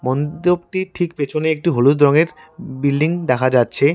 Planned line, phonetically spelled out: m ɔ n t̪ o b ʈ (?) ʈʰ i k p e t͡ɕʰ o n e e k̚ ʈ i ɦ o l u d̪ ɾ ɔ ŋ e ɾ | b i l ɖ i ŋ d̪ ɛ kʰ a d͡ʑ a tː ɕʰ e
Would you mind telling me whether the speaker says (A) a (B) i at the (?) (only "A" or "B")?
B